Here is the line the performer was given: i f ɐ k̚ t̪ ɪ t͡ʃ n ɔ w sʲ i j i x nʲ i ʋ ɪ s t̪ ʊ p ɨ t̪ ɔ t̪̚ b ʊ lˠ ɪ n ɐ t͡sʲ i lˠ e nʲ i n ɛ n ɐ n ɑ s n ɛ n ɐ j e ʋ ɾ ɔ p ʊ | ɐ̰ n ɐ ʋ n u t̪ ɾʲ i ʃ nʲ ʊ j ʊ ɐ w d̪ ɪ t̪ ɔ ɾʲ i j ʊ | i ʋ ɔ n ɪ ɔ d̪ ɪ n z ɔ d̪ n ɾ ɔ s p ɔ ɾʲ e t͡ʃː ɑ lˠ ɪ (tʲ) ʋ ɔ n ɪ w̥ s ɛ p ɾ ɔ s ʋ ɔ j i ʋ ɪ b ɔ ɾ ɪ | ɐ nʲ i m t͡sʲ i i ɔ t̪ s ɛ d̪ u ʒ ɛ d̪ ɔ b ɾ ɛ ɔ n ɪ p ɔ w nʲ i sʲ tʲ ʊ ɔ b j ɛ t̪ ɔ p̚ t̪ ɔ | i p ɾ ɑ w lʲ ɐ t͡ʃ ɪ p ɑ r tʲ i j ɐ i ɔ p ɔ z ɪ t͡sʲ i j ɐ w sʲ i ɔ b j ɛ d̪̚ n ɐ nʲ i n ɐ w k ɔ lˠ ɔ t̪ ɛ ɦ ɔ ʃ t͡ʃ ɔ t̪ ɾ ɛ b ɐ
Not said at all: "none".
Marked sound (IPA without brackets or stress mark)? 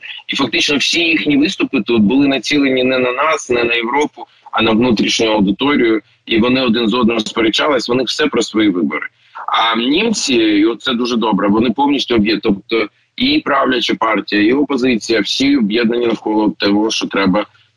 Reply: sʲ